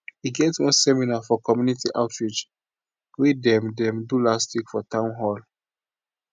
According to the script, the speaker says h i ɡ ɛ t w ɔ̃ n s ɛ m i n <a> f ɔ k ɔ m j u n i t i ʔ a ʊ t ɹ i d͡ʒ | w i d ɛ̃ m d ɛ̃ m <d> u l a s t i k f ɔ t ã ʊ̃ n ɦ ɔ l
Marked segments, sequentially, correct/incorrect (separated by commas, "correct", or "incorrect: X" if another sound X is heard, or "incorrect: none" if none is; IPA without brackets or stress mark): correct, correct